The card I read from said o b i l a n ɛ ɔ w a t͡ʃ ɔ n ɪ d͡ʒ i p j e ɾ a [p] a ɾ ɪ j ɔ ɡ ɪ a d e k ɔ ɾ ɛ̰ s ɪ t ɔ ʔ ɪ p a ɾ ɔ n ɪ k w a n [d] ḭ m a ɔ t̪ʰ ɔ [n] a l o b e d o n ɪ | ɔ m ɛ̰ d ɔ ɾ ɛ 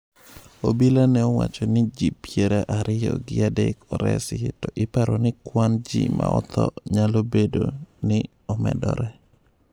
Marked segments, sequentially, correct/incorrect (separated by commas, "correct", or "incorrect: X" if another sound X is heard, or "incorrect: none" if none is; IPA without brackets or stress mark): incorrect: ʔ, incorrect: d͡ʒ, incorrect: ɲ